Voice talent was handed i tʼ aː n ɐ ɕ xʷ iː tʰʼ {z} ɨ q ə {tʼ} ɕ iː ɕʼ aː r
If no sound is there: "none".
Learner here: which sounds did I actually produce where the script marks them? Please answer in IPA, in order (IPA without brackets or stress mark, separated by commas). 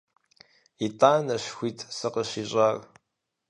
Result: s, none